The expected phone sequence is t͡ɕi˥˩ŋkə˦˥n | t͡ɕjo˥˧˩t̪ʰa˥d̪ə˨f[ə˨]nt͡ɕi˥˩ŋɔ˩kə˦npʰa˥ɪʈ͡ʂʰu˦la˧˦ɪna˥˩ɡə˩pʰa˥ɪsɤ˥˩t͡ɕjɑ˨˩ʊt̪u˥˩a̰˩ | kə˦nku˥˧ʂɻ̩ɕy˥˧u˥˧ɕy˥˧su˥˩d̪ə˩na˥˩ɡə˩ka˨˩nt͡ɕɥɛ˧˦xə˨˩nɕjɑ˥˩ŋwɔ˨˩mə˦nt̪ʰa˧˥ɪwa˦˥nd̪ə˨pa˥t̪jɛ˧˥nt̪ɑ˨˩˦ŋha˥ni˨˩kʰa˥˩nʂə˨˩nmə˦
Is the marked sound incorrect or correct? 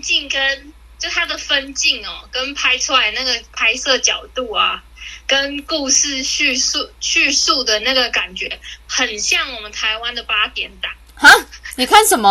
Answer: incorrect